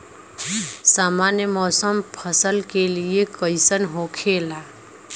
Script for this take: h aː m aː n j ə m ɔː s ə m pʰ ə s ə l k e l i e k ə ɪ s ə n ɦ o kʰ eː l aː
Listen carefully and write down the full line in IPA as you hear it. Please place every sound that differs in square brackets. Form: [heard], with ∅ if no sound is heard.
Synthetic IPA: [s] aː m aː n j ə m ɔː s ə m pʰ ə s ə l k e l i e k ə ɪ s ə n ɦ o kʰ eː l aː